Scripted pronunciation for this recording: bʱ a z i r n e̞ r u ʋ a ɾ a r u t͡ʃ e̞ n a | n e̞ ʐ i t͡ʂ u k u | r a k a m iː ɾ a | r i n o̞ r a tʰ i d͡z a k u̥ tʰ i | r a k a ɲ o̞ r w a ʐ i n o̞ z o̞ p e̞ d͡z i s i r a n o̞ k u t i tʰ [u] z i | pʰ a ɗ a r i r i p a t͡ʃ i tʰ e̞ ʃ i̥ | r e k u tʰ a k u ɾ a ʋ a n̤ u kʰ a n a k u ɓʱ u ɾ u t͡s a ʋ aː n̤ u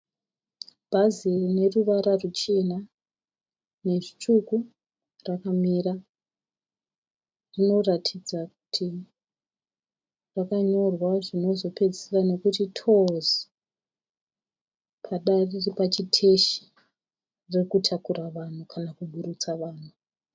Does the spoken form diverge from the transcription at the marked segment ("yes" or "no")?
yes